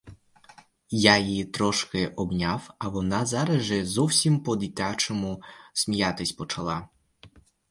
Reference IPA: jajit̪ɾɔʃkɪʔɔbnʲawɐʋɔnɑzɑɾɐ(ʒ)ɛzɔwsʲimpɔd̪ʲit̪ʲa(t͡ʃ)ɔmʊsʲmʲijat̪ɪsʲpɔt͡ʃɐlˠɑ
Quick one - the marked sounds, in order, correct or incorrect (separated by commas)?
correct, correct